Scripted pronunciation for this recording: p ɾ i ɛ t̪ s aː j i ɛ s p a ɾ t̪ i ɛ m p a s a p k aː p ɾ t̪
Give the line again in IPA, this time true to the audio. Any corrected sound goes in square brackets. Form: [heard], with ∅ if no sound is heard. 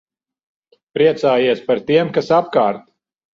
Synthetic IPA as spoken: p ɾ i ɛ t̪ s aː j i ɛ s p a ɾ t̪ i ɛ m [k] a s a p k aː [∅] ɾ t̪